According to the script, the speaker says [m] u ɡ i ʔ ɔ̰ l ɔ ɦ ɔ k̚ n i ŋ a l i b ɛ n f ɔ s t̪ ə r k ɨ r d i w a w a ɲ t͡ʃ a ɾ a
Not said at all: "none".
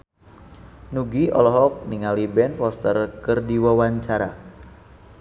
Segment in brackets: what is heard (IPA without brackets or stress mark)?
n